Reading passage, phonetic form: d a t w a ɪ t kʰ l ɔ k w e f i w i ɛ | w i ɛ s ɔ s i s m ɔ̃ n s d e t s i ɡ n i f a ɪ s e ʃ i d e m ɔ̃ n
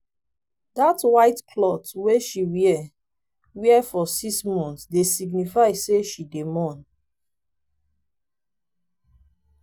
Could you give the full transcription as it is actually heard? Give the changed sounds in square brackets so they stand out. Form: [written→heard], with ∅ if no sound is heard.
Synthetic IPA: d a t w a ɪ t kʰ l ɔ [k→t] w e [f→ʃ] i w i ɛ | w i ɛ [s→f] ɔ s i s m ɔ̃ n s d e [t→∅] s i ɡ n i f a ɪ s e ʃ i d e m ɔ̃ n